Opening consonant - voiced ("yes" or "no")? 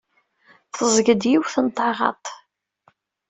no